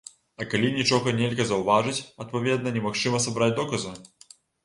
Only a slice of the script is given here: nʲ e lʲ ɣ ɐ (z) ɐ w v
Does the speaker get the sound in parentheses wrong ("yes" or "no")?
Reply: no